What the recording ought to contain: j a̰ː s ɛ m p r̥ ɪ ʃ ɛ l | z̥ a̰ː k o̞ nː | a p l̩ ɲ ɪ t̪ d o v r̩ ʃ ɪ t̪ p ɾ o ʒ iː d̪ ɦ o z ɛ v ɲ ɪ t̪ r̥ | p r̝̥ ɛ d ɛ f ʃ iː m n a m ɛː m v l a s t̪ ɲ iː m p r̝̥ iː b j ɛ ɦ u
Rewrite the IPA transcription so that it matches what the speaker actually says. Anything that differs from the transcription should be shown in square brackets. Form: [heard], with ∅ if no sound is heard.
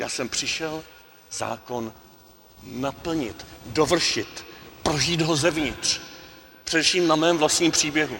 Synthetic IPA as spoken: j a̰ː s ɛ m p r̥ ɪ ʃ ɛ l | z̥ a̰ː k o̞ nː | a p l̩ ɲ ɪ t̪ d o v r̩ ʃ ɪ t̪ p ɾ o ʒ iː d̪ ɦ o z ɛ v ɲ ɪ t̪ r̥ | p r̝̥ ɛ d ɛ f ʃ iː m n a m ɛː m v l a s t̪ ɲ iː m p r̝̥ iː b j ɛ ɦ u